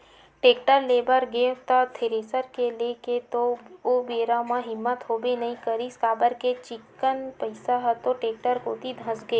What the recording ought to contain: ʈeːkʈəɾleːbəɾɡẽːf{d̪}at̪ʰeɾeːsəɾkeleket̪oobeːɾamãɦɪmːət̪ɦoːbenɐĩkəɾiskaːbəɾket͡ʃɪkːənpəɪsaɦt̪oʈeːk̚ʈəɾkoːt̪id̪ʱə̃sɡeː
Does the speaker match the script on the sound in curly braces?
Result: no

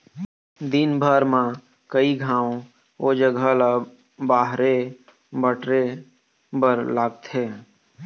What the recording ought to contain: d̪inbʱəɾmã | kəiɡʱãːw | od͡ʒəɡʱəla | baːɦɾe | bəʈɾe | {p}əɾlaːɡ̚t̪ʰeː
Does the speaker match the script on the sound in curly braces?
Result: no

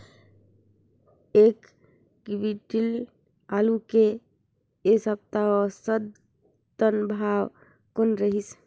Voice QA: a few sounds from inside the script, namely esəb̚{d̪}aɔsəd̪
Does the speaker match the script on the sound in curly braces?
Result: no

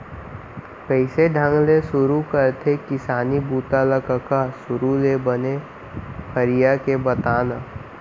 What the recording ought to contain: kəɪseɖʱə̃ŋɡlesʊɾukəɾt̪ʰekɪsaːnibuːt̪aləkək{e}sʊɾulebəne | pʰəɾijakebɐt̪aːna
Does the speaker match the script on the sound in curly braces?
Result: no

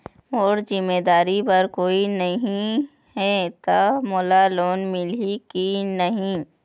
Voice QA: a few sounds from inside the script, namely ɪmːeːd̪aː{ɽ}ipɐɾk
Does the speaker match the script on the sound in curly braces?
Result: no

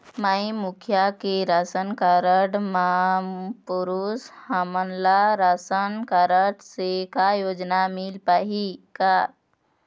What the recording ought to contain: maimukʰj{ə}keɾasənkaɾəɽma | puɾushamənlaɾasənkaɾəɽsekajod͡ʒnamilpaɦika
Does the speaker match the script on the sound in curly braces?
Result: no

